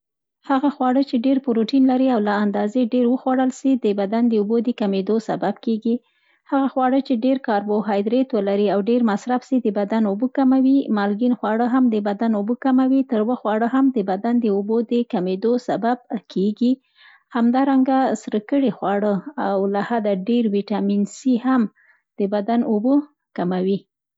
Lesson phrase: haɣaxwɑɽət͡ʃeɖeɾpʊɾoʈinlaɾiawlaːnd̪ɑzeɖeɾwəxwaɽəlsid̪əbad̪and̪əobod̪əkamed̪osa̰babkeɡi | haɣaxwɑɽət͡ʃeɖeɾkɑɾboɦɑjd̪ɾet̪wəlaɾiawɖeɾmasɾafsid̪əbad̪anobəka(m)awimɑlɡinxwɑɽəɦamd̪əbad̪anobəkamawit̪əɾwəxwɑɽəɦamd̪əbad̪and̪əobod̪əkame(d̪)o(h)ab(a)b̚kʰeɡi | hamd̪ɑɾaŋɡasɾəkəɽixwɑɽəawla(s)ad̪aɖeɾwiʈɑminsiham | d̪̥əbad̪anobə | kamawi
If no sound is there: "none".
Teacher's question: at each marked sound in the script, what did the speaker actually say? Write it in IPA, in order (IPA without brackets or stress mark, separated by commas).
m, d̪, s, a, h